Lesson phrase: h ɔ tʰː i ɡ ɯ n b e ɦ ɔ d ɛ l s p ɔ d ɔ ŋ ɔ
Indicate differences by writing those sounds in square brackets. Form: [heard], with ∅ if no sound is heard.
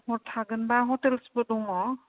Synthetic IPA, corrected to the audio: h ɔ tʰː [a] ɡ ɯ n b [a] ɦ ɔ [t] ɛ l s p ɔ d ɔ ŋ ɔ

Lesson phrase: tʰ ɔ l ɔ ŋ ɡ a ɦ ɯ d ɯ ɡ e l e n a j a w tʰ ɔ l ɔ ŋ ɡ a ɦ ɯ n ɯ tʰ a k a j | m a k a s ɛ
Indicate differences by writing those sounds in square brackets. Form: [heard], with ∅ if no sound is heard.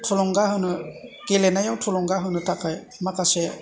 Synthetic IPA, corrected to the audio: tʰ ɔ l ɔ ŋ ɡ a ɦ ɯ [n] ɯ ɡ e l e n a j a w tʰ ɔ l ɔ ŋ ɡ a ɦ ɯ n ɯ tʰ a k a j | m a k a s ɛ

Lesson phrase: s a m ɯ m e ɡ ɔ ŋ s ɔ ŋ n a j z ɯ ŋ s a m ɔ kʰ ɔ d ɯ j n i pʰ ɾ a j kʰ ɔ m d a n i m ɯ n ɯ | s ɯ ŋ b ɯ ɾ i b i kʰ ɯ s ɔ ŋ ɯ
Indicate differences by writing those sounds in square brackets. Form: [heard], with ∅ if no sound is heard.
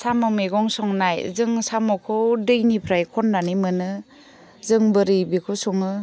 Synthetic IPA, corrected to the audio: s a m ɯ m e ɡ ɔ ŋ s ɔ ŋ n a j z ɯ ŋ s a m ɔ kʰ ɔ d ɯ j n i pʰ ɾ a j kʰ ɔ [n] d a n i m ɯ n ɯ | [z] ɯ ŋ b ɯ ɾ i b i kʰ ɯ s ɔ ŋ ɯ

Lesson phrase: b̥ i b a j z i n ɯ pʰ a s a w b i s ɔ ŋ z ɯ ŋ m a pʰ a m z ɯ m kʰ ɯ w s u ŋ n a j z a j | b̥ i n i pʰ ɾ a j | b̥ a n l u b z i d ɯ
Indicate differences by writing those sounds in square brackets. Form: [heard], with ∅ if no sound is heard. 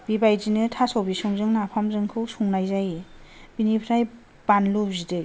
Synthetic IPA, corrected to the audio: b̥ i b a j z i n ɯ [tʰ] a s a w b i s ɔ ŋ z ɯ ŋ [n] a pʰ a m z ɯ [ŋ] kʰ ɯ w s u ŋ n a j z a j | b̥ i n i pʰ ɾ a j | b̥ a n l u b z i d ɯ

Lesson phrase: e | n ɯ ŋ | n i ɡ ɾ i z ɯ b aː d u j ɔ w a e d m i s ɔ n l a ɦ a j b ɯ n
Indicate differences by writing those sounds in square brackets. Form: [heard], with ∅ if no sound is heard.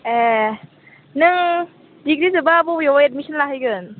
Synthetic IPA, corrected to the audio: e | n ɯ ŋ | [d] i ɡ ɾ i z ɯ b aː [b] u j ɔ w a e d m i s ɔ n l a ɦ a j [ɡ] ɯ n

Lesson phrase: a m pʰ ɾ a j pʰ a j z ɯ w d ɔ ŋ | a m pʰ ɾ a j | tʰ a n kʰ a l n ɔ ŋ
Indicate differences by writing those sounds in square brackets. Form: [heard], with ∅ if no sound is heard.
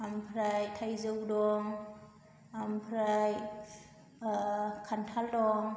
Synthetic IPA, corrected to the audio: a m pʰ ɾ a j [tʰ] a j z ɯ w d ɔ ŋ | a m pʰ ɾ a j | [kʰ] a n [tʰ] a l [d] ɔ ŋ

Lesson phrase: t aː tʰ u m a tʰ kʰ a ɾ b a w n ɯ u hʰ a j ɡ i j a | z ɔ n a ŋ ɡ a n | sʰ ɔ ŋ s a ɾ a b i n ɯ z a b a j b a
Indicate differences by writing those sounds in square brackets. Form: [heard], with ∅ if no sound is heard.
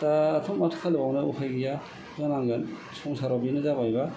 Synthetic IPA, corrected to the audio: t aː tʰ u m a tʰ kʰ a [l] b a w n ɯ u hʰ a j ɡ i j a | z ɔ n a ŋ ɡ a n | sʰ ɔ ŋ s a ɾ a b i n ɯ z a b a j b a

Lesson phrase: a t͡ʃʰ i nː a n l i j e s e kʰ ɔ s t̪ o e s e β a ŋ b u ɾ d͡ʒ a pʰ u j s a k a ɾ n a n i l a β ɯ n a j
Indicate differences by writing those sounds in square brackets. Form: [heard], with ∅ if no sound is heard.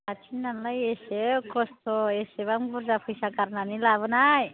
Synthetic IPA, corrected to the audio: a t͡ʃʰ i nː a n l [a] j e s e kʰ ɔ s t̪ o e s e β a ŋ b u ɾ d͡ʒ a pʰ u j s a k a ɾ n a n i l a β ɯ n a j

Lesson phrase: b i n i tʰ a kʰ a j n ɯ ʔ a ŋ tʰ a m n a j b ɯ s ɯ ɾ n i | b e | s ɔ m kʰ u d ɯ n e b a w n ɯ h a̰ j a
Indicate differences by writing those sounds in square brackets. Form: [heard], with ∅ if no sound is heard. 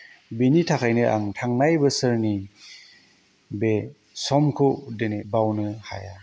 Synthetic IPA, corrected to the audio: b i n i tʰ a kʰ a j n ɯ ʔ a ŋ tʰ a [ŋ] n a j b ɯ s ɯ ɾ n i | b e | s ɔ m kʰ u d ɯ n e b a w n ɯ h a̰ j a

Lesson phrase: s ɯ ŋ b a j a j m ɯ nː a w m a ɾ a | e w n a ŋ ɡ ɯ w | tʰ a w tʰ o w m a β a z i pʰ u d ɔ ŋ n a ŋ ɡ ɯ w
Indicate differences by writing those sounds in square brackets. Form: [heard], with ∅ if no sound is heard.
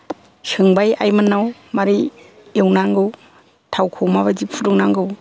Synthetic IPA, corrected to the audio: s ɯ ŋ b a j a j m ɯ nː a w m a ɾ [i] | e w n a ŋ ɡ ɯ w | tʰ a w [kʰ] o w m a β a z i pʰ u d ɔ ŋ n a ŋ ɡ ɯ w

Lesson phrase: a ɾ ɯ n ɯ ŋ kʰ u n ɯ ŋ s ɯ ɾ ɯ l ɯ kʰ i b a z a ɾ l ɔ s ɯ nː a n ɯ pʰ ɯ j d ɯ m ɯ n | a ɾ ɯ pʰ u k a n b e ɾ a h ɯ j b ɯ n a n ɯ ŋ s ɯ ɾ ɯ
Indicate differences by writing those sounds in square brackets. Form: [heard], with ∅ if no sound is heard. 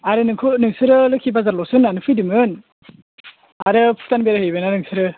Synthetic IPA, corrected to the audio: a ɾ ɯ n ɯ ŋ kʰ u n ɯ ŋ s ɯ ɾ ɯ l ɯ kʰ i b a z a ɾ l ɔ s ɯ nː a n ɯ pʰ ɯ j d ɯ m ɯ n | a ɾ ɯ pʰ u [t] a n b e ɾ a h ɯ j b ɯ n a n ɯ ŋ s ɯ ɾ ɯ

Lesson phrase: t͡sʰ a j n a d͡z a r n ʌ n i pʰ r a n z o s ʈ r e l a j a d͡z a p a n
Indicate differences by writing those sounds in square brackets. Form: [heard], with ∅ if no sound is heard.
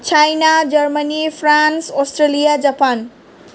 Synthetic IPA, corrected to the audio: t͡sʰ a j n a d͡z [ʌ] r [m] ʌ n i pʰ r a n [s] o s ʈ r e l [i] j a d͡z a p a n

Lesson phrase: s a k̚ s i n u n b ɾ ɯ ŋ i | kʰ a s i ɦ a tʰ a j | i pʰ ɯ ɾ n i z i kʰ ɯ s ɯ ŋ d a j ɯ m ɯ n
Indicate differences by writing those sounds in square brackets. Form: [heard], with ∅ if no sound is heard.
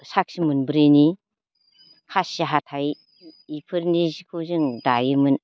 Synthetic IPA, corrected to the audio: s a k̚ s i [m] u n b ɾ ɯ [n] i | kʰ a s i ɦ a tʰ a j | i pʰ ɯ ɾ n i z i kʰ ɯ [z] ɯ ŋ d a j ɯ m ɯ n

